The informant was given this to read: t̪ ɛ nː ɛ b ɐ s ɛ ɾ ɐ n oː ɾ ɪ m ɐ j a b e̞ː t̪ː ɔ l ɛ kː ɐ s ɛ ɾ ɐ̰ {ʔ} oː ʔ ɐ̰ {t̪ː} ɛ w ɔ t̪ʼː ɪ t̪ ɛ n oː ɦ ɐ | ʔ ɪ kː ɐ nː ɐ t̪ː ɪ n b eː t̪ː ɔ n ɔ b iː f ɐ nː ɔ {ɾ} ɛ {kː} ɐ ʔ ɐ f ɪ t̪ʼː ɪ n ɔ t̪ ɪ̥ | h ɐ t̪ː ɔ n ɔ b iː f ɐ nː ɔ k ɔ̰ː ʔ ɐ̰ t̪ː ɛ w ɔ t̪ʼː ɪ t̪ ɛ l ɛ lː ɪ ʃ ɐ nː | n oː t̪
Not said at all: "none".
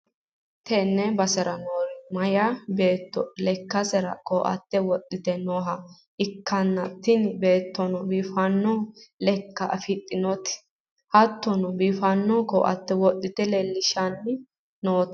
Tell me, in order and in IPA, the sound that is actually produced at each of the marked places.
k, t̪ː, l, kː

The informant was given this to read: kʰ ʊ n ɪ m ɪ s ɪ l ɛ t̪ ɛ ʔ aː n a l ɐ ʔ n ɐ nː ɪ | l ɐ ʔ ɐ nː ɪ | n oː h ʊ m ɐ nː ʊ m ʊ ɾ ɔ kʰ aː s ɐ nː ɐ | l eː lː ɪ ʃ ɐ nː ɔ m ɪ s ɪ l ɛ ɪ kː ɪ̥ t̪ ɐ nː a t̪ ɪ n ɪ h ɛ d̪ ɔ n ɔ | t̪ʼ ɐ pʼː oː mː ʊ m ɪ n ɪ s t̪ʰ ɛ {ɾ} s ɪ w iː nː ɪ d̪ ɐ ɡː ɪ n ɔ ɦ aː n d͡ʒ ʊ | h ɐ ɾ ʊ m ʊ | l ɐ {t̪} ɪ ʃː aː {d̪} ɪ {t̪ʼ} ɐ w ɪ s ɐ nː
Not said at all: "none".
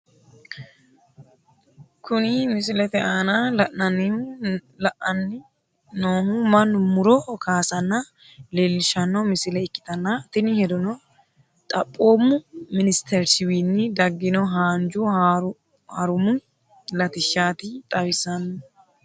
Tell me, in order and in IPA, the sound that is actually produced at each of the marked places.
ɾ, t̪, t̪, t̪ʼ

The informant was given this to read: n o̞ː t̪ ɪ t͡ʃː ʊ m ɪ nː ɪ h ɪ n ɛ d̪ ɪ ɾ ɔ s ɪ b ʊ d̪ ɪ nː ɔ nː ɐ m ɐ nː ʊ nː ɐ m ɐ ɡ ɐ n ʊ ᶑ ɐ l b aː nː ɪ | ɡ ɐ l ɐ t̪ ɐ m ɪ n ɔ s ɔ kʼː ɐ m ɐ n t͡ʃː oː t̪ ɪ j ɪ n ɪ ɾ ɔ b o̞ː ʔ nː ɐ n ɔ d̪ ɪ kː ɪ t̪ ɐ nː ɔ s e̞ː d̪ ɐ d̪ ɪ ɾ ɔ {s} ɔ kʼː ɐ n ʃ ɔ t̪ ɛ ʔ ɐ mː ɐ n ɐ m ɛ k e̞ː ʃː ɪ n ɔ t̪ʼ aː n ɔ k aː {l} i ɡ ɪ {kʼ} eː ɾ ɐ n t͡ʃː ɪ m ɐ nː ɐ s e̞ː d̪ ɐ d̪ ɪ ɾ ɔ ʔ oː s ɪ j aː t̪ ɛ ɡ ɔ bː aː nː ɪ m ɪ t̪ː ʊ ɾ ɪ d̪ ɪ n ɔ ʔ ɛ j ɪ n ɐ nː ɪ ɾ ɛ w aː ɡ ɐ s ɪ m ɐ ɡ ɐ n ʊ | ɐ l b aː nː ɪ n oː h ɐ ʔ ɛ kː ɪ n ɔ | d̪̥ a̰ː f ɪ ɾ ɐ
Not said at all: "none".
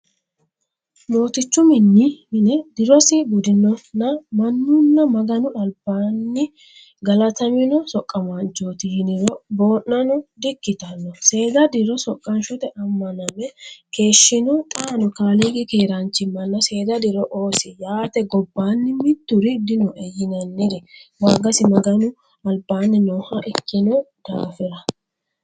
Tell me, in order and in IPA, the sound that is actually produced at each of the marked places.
s, l, k

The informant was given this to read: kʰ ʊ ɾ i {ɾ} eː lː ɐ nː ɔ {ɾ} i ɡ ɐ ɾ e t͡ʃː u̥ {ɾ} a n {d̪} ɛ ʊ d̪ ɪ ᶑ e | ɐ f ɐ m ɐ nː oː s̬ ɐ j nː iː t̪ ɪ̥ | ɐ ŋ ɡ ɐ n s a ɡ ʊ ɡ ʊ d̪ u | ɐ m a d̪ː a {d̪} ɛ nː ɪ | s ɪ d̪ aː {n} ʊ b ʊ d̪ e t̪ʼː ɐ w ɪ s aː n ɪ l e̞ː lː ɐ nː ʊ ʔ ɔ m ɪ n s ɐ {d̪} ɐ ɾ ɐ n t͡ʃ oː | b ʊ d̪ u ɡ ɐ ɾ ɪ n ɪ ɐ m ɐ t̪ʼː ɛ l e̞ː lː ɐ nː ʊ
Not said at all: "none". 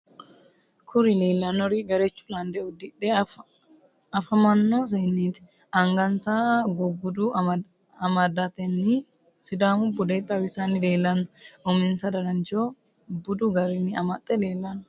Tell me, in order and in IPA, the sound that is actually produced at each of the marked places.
l, ɾ, l, d̪, t̪, m, d̪

